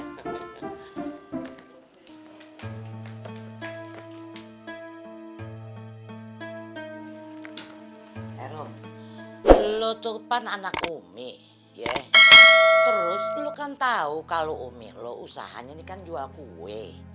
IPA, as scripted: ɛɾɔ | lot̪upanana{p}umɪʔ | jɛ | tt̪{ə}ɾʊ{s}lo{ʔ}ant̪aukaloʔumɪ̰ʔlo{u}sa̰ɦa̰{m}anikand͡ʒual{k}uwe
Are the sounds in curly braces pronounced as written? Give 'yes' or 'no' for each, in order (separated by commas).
no, yes, yes, no, yes, no, yes